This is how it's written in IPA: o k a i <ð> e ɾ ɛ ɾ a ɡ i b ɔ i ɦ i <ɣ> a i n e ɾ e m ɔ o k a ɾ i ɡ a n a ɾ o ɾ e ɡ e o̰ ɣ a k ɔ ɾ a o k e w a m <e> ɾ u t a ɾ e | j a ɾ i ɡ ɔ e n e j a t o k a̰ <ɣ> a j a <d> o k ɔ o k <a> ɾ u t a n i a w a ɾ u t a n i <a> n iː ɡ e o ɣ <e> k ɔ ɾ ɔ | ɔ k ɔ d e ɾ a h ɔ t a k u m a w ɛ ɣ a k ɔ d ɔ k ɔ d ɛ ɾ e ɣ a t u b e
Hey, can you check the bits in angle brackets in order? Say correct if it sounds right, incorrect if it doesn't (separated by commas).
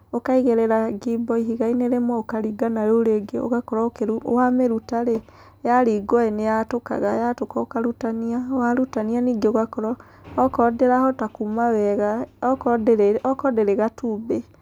incorrect, correct, correct, correct, incorrect, correct, correct, incorrect